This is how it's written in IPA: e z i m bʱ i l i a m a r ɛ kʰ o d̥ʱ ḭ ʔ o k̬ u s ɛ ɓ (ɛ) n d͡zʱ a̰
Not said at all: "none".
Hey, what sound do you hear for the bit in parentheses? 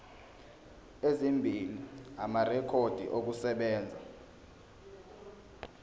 ɛː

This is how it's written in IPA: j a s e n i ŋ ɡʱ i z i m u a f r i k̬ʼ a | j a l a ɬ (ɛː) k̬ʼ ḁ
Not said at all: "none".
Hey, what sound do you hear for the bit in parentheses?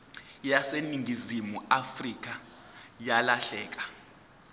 ɛː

